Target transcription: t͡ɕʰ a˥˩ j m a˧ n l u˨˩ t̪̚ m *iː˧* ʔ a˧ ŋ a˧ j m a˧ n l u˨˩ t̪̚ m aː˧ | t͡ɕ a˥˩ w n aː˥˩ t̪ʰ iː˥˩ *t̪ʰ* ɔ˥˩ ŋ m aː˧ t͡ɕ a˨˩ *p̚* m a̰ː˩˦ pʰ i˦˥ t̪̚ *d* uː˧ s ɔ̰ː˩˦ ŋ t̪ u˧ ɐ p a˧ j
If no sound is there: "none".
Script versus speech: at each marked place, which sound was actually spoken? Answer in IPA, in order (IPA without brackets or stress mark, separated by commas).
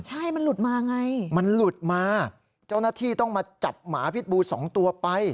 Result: aː˧, t̪, p̚, b